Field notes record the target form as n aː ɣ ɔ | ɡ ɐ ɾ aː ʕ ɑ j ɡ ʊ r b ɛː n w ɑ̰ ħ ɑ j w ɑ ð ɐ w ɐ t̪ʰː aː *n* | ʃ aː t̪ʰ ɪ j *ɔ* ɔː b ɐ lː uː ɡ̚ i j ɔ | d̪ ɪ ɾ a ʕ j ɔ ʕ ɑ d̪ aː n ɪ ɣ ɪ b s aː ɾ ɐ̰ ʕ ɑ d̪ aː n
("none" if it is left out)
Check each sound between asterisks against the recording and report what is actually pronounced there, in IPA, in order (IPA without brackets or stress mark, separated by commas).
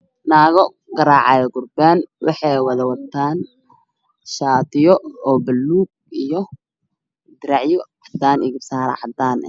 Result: n, ɔ